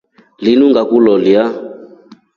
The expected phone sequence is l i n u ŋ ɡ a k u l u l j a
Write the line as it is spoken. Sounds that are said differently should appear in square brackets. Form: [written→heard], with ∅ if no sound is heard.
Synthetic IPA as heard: l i n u ŋ ɡ a k u l [u→ɔ] l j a